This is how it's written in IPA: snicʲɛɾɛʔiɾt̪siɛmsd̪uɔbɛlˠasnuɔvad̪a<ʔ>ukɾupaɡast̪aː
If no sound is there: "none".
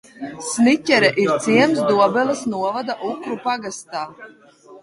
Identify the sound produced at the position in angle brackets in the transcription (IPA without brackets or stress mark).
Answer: ʔ